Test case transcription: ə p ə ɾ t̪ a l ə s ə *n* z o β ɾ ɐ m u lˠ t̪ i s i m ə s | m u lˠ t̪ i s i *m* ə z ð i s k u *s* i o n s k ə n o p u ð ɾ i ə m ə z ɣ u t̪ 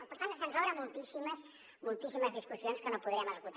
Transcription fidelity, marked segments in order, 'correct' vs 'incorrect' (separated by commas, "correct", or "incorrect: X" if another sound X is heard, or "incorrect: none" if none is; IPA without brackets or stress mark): correct, correct, correct